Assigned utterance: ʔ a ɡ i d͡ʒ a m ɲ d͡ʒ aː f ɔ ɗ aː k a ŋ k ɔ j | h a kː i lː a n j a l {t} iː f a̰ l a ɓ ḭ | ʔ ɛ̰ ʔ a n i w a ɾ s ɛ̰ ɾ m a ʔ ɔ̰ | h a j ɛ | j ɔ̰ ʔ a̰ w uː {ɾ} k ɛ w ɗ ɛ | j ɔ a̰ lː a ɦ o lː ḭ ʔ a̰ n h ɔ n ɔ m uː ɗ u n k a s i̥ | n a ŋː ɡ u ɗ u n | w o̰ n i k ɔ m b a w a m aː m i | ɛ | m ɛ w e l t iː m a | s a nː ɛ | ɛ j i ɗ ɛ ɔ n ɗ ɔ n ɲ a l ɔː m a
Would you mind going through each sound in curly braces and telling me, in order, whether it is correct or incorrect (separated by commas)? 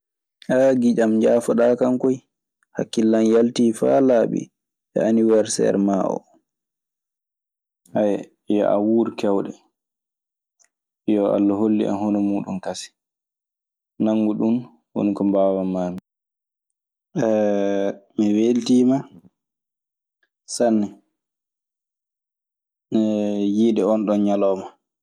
correct, correct